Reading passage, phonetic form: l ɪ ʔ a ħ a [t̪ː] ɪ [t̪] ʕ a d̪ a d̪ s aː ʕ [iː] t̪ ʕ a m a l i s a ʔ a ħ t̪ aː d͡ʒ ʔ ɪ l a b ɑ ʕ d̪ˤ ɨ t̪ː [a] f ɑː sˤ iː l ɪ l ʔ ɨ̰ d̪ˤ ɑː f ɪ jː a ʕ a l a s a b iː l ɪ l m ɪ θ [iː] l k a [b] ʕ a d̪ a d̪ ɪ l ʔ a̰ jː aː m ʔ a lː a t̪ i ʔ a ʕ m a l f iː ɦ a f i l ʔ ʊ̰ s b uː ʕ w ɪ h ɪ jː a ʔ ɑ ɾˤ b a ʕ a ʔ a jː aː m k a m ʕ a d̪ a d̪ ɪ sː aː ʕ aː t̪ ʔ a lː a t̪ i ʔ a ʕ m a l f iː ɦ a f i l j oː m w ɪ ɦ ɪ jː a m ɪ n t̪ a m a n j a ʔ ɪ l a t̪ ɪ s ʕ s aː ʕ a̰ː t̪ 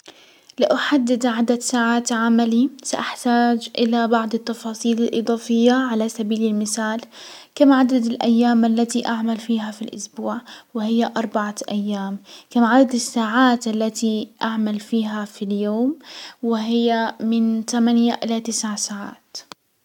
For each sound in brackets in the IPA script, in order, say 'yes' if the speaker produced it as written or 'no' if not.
no, no, no, no, no, no

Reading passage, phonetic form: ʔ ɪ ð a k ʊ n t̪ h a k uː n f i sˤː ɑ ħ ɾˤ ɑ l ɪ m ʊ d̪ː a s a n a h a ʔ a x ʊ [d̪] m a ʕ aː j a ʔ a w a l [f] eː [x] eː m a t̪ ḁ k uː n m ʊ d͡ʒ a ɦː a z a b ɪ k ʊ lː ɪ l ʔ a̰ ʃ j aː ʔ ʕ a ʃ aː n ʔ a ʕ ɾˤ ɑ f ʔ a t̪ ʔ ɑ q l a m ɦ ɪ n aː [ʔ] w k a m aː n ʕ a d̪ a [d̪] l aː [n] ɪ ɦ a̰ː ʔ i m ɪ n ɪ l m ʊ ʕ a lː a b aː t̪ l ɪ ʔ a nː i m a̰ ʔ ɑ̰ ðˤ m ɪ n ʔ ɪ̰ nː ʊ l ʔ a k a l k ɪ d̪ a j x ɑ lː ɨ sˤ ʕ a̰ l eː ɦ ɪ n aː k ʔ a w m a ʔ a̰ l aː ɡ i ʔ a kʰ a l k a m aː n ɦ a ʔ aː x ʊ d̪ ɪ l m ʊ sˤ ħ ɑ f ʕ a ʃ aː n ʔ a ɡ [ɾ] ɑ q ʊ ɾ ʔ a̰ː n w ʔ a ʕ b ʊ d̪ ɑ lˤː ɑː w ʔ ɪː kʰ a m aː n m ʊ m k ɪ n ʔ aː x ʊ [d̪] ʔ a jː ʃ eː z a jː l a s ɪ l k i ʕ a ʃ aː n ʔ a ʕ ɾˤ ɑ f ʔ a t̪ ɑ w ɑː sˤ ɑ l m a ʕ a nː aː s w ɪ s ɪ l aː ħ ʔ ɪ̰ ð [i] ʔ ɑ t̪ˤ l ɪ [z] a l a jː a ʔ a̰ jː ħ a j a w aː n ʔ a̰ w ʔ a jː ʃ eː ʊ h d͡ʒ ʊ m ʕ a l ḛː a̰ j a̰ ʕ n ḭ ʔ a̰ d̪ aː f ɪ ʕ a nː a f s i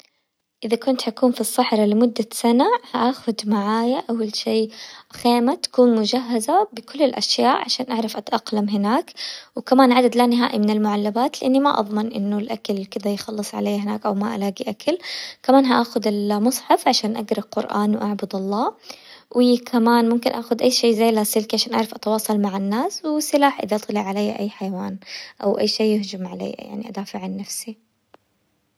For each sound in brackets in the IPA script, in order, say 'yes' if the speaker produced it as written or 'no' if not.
yes, no, yes, no, yes, yes, yes, yes, no, no

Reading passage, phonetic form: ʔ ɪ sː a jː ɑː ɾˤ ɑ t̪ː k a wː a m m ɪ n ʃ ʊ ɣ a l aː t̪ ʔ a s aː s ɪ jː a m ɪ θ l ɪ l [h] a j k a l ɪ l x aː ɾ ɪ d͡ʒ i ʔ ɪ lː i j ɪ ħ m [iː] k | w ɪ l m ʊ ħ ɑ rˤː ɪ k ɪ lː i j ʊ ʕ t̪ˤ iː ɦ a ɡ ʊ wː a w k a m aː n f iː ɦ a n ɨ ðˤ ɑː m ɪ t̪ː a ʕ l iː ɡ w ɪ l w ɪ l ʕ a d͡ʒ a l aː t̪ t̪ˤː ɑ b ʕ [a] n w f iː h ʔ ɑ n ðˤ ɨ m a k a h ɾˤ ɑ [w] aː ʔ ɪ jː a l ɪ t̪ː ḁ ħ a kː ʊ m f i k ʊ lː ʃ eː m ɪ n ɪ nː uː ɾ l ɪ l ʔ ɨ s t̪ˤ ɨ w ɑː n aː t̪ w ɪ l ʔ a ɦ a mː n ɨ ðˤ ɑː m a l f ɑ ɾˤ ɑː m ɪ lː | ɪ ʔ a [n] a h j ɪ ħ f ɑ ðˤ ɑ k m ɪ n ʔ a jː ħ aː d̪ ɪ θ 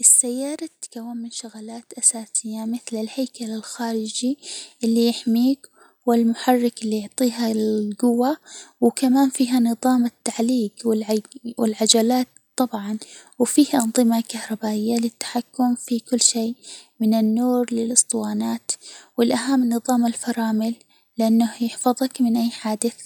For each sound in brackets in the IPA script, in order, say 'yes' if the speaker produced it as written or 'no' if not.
yes, yes, no, no, no

